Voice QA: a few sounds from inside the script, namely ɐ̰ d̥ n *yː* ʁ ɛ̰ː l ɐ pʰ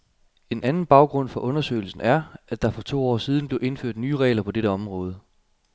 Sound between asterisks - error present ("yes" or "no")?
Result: no